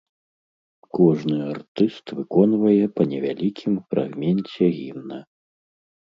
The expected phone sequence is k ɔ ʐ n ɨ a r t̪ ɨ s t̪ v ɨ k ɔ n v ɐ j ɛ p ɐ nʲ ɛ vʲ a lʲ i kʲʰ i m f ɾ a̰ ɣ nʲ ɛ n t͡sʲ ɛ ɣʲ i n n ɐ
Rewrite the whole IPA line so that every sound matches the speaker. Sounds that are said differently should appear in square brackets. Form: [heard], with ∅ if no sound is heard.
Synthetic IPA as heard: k ɔ ʐ n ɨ a r t̪ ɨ s t̪ v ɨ k ɔ n v ɐ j ɛ p ɐ nʲ ɛ vʲ a lʲ i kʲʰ i m f ɾ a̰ ɣ [mʲ] ɛ n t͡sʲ ɛ ɣʲ i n n ɐ